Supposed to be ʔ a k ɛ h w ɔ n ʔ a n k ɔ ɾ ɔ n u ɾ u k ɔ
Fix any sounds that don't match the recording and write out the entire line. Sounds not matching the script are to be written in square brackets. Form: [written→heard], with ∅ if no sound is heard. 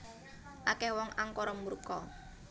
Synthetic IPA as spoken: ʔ a k ɛ h w ɔ [n→ŋ] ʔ a [n→ŋ] k ɔ ɾ ɔ [n→m] u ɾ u k ɔ